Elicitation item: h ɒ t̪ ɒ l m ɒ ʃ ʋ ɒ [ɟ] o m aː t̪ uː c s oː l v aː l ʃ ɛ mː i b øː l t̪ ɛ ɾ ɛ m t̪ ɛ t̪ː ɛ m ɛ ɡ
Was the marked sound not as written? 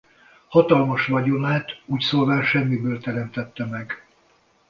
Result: no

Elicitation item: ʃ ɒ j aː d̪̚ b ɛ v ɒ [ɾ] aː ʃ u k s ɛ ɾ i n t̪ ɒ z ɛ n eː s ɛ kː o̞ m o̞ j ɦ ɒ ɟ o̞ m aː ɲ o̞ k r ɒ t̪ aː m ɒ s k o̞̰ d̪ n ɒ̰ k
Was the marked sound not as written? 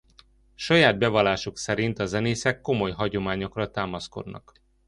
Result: yes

